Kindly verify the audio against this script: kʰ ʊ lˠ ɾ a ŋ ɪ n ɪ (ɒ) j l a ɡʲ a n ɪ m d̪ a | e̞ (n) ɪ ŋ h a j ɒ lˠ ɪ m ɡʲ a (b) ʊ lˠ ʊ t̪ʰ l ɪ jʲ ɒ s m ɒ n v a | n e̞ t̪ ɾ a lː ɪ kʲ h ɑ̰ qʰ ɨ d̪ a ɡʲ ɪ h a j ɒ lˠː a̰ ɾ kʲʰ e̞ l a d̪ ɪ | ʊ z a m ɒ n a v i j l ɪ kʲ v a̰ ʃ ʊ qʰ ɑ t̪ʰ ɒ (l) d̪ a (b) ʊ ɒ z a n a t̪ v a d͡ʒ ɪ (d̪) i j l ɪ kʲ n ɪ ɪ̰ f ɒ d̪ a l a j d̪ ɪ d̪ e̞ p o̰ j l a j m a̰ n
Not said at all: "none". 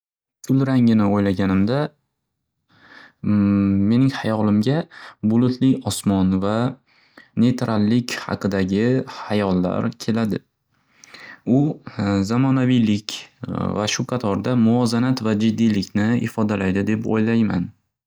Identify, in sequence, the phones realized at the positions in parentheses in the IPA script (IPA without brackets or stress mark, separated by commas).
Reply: o, n, b, ɾ, m, d̪ː